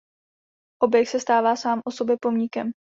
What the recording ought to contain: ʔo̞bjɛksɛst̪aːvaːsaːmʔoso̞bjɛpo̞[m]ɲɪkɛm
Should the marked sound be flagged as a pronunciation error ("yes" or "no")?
no